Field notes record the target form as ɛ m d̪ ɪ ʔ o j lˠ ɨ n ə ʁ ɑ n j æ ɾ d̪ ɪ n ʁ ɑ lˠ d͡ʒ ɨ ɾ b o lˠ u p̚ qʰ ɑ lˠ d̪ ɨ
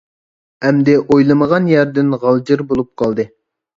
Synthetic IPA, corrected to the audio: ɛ m d̪ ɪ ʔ o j lˠ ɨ m ə ʁ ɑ n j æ ɾ d̪ ɪ n ʁ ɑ lˠ d͡ʒ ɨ ɾ b o lˠ u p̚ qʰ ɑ lˠ d̪ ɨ